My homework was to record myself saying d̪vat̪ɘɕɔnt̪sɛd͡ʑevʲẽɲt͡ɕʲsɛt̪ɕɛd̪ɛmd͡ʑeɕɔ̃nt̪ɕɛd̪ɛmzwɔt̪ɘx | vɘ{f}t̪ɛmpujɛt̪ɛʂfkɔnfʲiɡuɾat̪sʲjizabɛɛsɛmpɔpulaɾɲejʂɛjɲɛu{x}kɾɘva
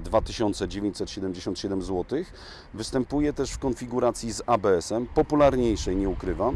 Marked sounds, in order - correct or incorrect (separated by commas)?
incorrect, incorrect